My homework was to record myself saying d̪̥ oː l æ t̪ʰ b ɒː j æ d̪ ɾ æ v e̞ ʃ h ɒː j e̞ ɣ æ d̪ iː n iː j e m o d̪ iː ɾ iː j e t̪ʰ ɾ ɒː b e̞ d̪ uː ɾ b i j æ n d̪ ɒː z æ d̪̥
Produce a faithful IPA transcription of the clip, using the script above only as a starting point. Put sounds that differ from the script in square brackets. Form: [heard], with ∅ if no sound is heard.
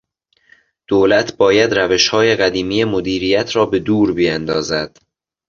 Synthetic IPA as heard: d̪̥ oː l æ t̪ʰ b ɒː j æ d̪ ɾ æ v e̞ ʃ h ɒː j e̞ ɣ æ d̪ iː [m] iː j e m o d̪ iː ɾ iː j [æ] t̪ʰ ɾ ɒː b e̞ d̪ uː ɾ b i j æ n d̪ ɒː z æ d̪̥